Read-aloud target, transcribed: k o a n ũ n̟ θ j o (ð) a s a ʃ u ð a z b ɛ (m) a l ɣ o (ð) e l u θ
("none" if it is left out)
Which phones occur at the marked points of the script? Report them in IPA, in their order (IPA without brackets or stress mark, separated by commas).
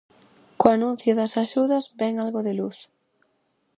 ð, ŋ, ð